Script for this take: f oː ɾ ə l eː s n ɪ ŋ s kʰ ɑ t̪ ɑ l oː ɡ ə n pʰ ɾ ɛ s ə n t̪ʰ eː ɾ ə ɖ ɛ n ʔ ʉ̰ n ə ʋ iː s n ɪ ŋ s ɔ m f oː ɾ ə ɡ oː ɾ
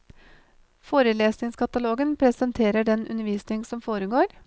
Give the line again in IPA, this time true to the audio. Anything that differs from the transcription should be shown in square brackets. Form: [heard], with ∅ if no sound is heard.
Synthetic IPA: f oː ɾ ə l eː s n ɪ ŋ s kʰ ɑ t̪ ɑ l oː ɡ ə n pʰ ɾ ɛ s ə n t̪ʰ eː ɾ ə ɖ ɛ n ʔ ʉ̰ n ə ʋ iː s n ɪ ŋ s ɔ m f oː ɾ ə ɡ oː ɾ